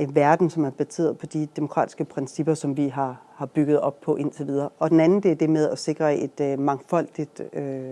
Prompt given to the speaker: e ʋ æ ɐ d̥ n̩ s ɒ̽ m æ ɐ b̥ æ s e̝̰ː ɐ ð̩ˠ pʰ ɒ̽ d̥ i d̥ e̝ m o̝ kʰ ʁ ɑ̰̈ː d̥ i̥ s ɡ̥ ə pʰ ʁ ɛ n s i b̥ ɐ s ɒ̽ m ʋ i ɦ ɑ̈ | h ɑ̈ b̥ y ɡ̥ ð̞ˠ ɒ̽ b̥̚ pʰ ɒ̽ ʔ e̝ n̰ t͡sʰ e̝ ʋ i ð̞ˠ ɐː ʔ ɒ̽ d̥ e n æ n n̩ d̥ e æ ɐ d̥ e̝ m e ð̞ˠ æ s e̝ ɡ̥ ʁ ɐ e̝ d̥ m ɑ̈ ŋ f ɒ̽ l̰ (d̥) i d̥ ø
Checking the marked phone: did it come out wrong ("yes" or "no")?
no